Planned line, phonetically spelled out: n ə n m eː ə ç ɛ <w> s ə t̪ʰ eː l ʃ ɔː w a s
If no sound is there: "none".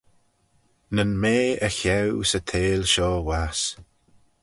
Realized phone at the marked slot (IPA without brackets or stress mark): w